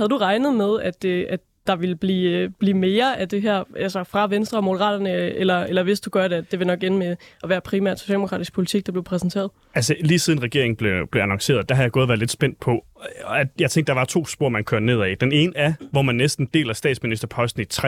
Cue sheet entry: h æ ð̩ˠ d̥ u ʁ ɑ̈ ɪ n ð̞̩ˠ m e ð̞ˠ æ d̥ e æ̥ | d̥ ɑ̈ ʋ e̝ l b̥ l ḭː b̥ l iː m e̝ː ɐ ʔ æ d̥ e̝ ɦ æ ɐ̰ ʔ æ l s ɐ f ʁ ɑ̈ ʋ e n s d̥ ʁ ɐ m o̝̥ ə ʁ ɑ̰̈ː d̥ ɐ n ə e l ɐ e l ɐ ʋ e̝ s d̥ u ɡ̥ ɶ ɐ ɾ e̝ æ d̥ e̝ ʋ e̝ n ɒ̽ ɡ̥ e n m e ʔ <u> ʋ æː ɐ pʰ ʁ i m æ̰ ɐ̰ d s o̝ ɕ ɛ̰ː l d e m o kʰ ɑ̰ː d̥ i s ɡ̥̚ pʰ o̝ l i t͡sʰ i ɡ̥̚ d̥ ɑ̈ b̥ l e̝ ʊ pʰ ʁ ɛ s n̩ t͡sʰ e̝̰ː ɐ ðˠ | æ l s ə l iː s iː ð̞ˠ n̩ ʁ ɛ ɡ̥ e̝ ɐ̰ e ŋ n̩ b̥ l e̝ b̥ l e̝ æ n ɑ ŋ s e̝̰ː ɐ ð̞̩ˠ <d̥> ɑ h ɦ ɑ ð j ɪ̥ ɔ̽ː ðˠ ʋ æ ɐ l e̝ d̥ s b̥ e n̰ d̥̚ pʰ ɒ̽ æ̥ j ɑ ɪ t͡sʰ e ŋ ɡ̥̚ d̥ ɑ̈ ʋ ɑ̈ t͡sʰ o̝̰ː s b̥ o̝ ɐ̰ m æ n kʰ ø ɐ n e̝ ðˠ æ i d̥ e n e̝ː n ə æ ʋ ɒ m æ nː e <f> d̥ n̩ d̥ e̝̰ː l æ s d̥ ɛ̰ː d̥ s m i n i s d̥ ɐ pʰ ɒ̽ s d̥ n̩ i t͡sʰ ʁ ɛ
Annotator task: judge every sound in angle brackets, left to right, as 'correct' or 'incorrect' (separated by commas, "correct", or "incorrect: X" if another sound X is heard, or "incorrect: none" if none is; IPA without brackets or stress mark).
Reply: incorrect: ɒ, correct, incorrect: s